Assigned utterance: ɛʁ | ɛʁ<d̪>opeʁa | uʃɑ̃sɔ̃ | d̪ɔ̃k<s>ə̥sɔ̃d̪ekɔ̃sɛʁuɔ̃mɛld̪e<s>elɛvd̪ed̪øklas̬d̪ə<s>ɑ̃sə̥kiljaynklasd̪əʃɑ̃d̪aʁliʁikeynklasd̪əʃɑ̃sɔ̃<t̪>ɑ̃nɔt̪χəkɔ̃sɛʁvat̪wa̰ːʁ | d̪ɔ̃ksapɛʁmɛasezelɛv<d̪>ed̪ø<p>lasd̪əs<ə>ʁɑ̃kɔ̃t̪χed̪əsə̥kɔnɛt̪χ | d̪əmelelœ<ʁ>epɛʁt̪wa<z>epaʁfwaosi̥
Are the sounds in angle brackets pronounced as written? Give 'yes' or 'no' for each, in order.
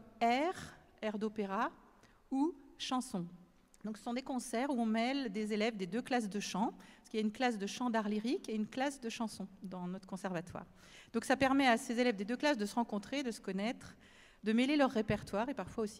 yes, yes, no, no, no, yes, no, yes, no, no

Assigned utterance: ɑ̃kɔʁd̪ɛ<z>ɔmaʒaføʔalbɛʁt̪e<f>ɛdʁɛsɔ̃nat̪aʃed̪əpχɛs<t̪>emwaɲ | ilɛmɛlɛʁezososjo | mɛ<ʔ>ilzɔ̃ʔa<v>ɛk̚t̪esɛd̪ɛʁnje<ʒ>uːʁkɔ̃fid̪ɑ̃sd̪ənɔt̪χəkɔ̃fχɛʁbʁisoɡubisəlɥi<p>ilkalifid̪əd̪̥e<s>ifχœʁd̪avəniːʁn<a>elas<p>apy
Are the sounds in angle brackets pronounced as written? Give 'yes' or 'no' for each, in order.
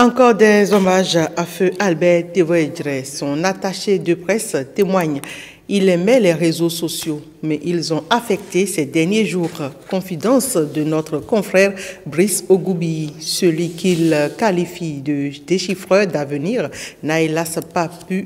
yes, no, yes, yes, no, yes, no, no, yes, yes

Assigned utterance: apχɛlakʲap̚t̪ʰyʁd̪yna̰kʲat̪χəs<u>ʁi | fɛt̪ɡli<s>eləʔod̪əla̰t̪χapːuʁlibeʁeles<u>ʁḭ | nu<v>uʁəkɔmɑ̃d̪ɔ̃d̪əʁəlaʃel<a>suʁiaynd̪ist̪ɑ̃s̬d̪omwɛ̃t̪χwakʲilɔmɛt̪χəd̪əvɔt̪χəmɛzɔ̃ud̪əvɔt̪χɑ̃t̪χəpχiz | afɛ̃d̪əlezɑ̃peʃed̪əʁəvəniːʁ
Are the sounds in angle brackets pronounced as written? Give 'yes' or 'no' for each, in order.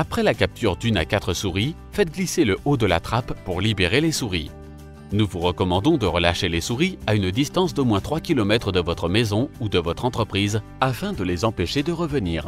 yes, yes, yes, yes, no

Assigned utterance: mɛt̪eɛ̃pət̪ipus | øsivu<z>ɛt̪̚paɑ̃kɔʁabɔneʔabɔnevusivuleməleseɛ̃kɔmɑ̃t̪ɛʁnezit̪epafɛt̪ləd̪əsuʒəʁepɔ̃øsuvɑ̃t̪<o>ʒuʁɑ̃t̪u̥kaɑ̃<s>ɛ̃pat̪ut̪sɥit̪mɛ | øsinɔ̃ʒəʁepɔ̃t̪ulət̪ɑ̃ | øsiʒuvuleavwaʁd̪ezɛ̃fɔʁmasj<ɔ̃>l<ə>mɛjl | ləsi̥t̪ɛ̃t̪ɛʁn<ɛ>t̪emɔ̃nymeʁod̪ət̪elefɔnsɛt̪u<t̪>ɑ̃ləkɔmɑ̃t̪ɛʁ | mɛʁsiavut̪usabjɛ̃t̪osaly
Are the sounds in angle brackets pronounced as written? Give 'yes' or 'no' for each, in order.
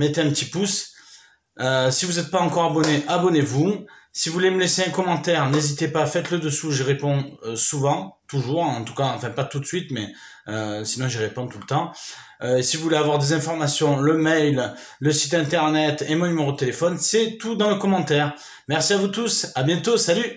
yes, no, no, yes, yes, yes, no

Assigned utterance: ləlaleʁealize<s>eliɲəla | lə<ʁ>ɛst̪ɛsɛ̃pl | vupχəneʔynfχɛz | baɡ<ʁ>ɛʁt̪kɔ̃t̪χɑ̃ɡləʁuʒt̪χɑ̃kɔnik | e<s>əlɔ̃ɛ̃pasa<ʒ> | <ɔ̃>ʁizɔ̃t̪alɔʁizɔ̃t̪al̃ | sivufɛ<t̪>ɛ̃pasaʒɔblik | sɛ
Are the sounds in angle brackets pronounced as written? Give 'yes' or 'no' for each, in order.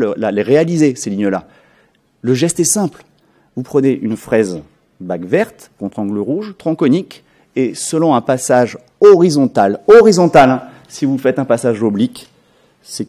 yes, no, no, yes, yes, no, yes

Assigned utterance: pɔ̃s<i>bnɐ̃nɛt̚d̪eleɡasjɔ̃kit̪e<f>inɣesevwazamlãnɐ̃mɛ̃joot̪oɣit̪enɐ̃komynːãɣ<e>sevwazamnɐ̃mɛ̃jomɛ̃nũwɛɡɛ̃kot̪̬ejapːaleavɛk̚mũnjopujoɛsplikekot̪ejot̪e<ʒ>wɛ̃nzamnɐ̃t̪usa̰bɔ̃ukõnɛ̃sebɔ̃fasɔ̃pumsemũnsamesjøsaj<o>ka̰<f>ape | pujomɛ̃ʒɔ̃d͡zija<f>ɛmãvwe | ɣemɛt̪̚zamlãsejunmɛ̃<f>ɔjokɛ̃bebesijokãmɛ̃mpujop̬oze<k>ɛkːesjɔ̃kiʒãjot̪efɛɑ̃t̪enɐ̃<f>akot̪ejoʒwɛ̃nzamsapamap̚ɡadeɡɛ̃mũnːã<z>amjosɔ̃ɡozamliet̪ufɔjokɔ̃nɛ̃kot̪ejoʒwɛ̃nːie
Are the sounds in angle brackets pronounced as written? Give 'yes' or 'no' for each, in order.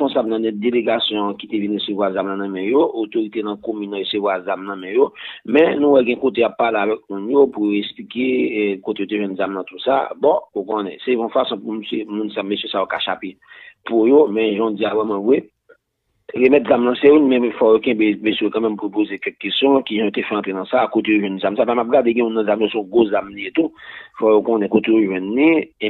no, no, yes, yes, yes, no, no, yes, yes, no, yes

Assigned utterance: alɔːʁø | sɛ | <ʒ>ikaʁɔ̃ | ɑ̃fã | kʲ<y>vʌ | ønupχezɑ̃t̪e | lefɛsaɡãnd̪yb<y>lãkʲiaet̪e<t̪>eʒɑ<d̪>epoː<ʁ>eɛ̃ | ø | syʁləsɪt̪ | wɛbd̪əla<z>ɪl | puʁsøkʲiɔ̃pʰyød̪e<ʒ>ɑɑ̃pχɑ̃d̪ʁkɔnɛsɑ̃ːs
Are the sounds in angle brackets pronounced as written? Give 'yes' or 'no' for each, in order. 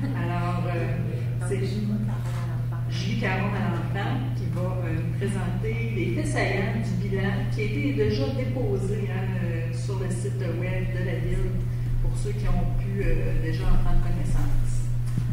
yes, no, no, no, yes, no, no, yes

